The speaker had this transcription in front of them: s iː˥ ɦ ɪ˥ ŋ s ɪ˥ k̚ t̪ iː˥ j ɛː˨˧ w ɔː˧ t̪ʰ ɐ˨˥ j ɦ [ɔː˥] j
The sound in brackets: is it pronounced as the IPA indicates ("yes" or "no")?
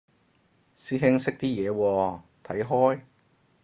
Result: yes